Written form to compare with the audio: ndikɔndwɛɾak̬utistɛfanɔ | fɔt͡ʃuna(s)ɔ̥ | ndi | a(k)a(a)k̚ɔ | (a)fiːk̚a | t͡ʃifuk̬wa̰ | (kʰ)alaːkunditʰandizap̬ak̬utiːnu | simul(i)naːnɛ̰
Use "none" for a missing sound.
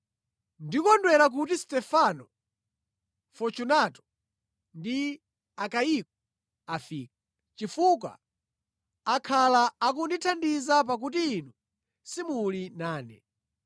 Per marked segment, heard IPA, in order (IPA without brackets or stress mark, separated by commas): t, k, i, a, kʰ, i